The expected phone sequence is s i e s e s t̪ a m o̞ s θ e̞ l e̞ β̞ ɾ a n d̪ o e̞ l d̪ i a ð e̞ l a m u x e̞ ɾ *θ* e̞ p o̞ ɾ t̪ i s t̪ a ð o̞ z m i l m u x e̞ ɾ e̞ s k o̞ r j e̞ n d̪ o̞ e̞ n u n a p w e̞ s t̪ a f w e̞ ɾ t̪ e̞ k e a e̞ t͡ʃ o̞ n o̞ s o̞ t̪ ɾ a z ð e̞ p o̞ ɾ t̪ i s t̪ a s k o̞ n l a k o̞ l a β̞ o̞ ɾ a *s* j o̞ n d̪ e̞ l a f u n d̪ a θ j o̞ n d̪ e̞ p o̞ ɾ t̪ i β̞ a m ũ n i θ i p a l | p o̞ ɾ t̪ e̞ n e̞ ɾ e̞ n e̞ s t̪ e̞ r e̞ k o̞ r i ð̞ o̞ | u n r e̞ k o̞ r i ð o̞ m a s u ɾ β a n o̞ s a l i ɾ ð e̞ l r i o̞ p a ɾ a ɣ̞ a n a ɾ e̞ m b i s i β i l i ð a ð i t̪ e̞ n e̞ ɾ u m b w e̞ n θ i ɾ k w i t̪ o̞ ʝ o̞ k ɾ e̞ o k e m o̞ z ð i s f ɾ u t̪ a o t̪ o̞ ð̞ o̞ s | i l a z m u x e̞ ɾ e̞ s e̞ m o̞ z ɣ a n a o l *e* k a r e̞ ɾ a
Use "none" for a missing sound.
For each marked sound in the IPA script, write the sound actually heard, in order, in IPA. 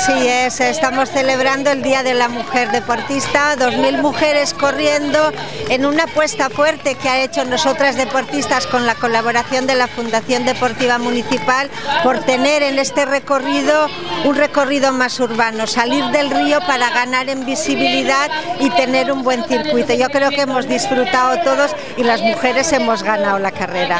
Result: ð, θ, a

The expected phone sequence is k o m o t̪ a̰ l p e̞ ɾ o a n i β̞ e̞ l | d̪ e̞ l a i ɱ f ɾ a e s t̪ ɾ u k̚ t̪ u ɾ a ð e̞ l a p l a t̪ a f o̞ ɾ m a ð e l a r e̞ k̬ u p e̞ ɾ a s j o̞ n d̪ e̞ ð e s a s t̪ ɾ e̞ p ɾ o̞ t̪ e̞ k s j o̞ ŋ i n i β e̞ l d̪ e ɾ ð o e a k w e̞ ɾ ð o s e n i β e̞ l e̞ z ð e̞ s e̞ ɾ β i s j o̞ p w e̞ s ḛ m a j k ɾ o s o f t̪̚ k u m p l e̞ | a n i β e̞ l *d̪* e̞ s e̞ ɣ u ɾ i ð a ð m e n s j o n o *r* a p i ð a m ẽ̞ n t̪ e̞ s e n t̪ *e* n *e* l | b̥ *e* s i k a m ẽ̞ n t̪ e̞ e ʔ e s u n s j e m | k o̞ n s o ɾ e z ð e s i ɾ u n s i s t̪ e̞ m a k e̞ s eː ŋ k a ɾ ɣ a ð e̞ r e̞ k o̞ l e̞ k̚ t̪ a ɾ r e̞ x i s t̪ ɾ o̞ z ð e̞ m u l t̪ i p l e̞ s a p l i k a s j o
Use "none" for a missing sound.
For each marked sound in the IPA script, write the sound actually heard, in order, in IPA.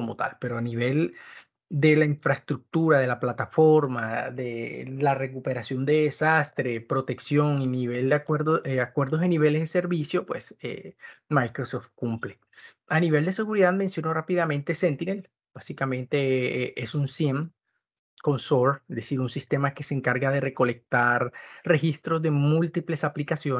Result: d̪, r, i, e, a

